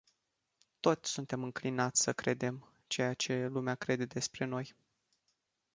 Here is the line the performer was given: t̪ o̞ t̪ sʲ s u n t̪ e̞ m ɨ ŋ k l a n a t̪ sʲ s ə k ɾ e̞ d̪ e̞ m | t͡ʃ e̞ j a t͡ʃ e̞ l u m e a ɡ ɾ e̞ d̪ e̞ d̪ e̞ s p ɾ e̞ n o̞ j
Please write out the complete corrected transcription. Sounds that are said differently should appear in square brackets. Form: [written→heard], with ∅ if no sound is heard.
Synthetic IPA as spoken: t̪ o̞ t̪ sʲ s u n t̪ e̞ m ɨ ŋ k l [a→i] n a t̪ sʲ s ə k ɾ e̞ d̪ e̞ m | t͡ʃ e̞ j a t͡ʃ e̞ l u m e a [ɡ→k] ɾ e̞ d̪ e̞ d̪ e̞ s p ɾ e̞ n o̞ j